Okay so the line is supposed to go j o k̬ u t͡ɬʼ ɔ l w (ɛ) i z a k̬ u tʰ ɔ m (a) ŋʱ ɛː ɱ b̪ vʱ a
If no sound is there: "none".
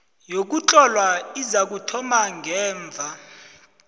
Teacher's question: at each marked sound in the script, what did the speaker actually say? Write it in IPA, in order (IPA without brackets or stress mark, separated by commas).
a, a